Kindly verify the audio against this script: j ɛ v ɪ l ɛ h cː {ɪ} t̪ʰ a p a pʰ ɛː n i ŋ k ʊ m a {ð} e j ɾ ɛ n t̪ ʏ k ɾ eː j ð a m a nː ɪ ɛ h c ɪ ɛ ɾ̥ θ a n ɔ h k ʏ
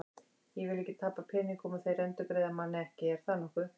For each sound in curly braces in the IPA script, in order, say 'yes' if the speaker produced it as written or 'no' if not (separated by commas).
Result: yes, no